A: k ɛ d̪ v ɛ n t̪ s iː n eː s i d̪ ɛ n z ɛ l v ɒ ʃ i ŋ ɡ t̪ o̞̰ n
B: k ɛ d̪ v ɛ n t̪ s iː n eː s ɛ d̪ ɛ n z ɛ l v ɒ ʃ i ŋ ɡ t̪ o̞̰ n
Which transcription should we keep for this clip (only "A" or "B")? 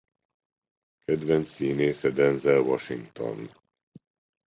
B